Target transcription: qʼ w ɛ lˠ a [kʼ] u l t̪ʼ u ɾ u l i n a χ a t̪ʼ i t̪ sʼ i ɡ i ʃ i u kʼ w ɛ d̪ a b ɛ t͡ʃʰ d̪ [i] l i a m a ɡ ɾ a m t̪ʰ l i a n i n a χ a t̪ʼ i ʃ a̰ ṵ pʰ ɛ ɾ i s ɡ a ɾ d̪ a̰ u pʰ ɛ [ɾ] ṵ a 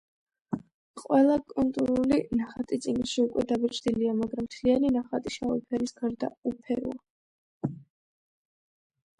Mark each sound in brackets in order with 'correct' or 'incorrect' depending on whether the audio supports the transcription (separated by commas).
correct, correct, correct